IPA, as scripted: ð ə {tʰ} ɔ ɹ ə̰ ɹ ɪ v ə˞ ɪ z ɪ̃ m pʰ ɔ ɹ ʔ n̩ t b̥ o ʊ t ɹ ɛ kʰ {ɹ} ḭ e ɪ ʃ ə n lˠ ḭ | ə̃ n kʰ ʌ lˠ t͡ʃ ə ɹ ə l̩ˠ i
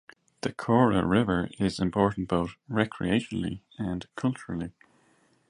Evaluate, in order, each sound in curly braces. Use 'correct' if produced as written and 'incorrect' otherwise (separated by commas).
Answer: incorrect, correct